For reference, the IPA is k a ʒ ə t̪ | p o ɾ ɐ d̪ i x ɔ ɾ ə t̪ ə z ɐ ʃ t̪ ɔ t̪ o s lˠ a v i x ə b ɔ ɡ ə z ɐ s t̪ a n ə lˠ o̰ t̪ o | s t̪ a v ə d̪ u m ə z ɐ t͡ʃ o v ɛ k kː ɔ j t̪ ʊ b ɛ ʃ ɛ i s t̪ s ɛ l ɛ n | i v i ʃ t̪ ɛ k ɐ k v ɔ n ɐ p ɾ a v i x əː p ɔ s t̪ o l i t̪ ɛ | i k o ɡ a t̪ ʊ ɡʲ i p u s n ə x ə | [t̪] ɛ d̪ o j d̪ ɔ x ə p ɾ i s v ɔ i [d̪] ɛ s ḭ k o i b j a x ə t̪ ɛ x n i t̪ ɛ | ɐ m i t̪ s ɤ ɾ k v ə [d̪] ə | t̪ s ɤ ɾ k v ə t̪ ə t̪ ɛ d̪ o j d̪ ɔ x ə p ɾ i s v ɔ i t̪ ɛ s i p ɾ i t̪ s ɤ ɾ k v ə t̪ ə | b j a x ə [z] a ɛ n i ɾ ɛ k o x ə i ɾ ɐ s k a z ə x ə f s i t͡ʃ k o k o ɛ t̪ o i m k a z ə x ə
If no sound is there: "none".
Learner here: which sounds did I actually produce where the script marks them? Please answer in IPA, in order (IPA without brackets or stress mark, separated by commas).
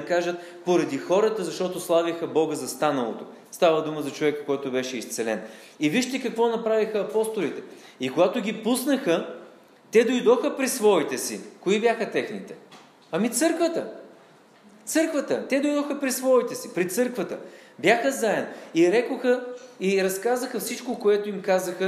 t̪, t̪, t̪, z